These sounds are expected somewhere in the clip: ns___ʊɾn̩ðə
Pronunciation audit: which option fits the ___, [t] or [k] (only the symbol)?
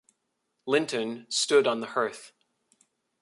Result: t